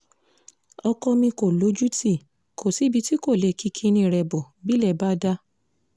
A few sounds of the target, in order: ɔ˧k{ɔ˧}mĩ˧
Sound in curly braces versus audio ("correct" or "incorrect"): correct